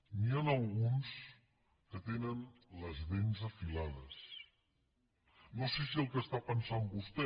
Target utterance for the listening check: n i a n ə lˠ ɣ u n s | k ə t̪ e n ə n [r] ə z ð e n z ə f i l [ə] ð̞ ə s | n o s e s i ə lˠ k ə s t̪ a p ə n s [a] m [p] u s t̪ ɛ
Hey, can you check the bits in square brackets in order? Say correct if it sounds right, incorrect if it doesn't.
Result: incorrect, incorrect, correct, incorrect

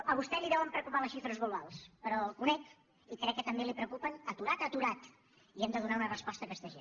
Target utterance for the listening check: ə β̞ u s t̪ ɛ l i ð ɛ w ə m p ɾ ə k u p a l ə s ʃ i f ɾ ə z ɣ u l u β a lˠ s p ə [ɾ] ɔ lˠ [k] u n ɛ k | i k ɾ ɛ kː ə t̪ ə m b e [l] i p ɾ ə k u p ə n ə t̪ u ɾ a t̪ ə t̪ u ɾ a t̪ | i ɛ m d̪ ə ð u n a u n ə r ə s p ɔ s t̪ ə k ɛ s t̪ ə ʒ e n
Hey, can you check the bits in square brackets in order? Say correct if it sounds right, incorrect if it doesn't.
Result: correct, correct, correct

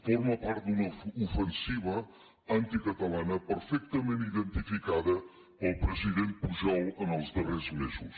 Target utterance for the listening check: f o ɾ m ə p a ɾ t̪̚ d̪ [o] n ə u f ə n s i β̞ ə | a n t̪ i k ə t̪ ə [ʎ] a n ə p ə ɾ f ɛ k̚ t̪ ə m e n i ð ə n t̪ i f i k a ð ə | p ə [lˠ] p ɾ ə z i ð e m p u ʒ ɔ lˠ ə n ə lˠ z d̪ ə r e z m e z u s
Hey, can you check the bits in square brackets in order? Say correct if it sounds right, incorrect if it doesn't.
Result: incorrect, incorrect, correct

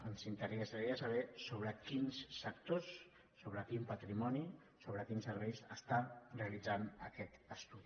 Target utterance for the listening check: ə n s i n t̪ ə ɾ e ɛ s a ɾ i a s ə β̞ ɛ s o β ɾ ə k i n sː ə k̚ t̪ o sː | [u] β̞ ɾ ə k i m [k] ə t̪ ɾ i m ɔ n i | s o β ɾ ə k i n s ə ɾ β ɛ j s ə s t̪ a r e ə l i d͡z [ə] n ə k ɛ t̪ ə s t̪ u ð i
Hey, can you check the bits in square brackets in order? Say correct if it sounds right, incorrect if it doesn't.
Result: incorrect, incorrect, incorrect

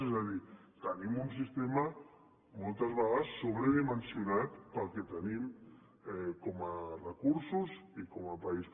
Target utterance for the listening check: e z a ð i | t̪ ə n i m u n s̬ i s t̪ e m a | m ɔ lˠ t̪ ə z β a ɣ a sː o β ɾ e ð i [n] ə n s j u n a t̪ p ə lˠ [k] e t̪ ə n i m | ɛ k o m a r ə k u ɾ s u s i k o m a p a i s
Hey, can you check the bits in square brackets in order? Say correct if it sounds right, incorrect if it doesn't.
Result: incorrect, correct

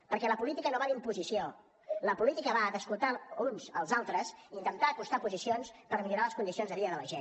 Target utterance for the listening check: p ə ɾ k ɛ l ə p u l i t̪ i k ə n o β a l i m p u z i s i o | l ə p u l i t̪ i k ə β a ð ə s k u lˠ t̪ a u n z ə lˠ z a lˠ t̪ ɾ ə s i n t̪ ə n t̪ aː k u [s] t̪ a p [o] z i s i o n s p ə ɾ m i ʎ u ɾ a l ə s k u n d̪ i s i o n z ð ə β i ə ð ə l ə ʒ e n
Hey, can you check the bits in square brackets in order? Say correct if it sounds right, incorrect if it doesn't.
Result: correct, incorrect

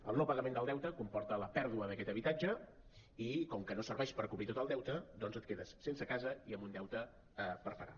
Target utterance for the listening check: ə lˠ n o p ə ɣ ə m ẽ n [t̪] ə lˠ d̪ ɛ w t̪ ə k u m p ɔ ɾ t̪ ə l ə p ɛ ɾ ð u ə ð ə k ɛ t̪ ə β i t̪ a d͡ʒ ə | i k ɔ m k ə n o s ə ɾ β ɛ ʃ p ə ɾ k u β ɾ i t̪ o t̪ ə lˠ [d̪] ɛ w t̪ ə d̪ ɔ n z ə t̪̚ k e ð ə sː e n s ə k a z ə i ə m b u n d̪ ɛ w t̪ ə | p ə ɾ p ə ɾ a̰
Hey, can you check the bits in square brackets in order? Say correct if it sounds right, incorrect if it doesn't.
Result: incorrect, correct

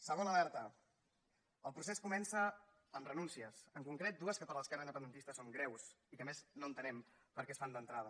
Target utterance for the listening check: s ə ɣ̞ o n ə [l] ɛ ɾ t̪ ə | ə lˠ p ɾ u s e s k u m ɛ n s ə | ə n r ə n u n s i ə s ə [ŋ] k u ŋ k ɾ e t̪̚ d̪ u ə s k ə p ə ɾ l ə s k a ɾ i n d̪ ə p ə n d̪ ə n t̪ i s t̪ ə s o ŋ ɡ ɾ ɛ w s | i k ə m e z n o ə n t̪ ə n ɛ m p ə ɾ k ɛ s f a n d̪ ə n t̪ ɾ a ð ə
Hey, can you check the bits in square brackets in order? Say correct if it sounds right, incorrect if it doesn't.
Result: correct, correct

